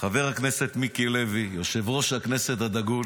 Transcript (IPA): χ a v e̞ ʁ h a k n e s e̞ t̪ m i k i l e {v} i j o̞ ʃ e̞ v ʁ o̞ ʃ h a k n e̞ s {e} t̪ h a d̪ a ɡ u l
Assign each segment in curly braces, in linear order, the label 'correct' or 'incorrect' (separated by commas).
correct, correct